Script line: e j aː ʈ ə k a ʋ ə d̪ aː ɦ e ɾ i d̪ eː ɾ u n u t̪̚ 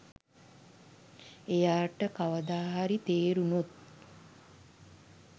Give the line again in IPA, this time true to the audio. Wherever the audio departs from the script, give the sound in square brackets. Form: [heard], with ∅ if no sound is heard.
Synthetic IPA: e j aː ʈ ə k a ʋ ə d̪ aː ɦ [a] ɾ i [t̪] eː ɾ u n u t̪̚